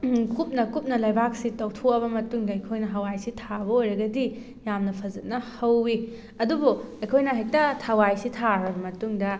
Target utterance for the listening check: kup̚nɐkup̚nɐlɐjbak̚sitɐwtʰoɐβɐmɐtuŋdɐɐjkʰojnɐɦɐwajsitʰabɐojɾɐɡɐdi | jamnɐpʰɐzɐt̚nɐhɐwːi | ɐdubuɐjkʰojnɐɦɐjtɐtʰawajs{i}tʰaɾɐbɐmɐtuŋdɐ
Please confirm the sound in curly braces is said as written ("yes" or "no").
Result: yes